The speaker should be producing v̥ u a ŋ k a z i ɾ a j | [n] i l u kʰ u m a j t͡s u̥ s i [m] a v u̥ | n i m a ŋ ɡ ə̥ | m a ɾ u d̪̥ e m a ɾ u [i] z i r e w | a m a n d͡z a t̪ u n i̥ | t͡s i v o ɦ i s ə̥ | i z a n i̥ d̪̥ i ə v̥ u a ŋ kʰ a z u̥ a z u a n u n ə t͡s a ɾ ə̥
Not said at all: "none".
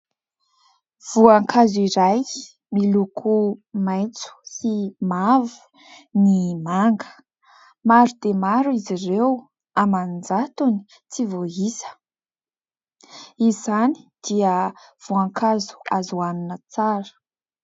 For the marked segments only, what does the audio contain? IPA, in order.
m, m, i

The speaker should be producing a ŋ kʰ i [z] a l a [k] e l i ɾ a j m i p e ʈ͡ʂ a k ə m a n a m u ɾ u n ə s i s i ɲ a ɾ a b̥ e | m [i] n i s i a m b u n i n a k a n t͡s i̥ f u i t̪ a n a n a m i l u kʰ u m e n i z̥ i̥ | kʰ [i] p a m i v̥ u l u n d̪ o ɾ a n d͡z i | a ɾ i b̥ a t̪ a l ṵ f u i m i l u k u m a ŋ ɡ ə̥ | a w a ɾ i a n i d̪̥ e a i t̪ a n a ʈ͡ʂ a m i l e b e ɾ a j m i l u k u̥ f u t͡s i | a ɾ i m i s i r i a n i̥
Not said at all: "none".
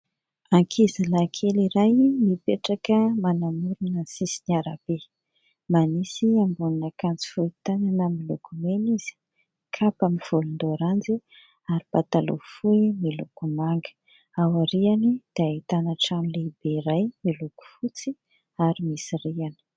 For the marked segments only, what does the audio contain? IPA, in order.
z, kʰ, a, a

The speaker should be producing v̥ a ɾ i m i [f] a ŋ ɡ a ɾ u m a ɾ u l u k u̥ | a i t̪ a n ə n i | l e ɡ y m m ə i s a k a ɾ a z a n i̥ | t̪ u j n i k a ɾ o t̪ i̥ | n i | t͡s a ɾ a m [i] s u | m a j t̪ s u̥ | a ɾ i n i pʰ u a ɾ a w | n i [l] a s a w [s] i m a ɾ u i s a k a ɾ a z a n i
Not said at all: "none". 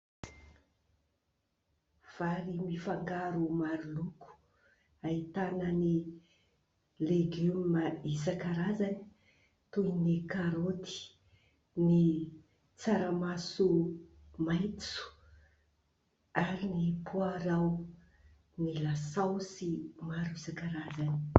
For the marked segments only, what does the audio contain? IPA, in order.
f, a, l, s

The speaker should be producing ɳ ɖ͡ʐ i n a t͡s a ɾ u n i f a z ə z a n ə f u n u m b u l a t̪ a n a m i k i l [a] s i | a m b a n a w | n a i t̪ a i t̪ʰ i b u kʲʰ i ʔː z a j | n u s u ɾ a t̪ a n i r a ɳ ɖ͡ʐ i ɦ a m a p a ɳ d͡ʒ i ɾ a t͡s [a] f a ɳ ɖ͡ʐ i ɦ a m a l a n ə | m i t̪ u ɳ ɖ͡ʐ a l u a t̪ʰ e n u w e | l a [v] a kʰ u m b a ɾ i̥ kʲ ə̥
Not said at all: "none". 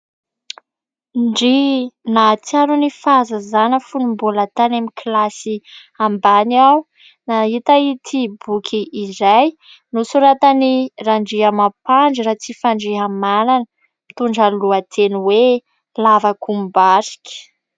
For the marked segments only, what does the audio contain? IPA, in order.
a, i, v

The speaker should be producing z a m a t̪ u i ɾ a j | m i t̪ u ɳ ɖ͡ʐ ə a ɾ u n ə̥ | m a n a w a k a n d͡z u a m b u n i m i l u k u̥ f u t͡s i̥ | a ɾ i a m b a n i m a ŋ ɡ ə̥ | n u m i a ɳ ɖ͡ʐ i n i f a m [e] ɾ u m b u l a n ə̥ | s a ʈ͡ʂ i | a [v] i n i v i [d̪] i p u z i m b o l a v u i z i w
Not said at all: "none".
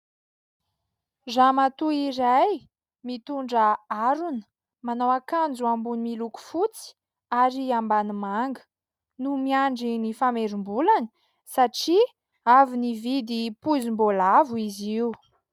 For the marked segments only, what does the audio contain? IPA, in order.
e, v, d̪

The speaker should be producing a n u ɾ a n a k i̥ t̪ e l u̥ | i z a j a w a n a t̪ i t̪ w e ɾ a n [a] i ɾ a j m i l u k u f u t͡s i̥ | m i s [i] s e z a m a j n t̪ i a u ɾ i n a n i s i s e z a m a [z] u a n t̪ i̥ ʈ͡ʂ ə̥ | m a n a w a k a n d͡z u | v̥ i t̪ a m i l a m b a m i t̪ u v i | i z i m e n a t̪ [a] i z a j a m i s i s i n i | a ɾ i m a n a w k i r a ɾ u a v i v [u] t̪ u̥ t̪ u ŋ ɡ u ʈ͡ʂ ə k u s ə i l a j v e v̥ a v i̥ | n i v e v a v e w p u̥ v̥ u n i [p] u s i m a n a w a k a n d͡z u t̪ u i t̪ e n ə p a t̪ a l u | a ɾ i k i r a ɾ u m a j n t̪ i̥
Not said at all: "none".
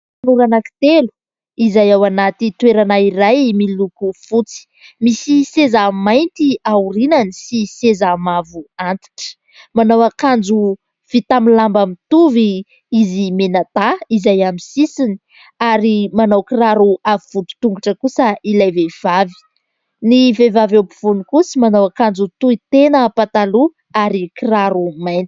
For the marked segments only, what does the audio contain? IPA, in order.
a, i, v, a, u, k

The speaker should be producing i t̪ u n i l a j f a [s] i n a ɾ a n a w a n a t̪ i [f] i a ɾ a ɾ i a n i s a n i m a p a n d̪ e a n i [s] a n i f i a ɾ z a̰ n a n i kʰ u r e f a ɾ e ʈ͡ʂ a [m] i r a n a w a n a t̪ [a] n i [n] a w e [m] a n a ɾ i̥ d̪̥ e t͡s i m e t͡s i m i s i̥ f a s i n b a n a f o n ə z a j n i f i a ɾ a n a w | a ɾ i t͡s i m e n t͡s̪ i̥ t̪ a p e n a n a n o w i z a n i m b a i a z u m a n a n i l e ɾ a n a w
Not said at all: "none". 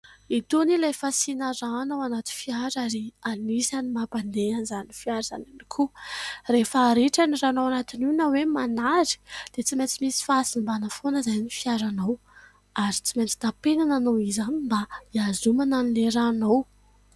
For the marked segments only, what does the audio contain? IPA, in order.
s, f, z, n, i, n, m

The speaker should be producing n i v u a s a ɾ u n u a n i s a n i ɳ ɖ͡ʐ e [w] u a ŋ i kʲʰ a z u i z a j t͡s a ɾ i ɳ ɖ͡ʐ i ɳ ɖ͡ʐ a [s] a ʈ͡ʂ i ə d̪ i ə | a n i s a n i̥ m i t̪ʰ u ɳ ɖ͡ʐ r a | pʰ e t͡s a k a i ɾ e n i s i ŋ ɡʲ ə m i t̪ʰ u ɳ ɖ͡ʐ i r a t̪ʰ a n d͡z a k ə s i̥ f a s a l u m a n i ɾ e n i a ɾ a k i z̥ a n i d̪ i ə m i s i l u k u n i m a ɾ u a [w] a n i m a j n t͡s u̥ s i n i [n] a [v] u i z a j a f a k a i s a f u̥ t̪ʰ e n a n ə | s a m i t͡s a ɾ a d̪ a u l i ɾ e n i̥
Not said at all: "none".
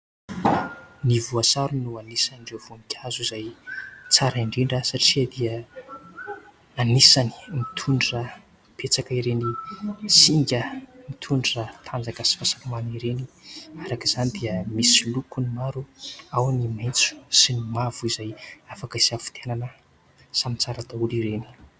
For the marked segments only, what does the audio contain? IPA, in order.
v, s, w, m, v

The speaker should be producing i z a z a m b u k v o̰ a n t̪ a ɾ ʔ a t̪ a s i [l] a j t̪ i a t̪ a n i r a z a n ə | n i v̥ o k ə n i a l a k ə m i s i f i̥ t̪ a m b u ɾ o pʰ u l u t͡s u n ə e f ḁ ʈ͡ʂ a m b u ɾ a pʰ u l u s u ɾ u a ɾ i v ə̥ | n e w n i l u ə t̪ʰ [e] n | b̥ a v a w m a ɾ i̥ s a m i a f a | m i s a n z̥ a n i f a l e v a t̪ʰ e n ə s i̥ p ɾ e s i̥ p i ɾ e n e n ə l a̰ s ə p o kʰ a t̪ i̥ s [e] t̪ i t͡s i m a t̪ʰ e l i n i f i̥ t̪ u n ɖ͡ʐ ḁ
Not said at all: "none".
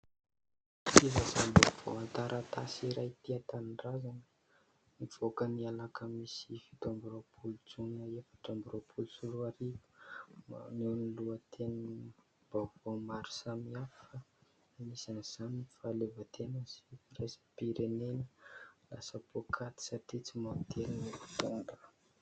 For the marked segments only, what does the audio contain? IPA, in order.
ɾ, e, a

